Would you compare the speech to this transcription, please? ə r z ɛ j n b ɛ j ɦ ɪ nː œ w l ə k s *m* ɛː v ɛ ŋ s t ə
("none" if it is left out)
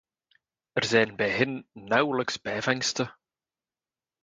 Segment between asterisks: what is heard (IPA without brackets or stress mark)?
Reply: b